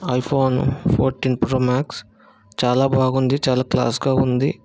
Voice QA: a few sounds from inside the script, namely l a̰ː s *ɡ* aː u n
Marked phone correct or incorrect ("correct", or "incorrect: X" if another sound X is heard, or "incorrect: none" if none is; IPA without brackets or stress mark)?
correct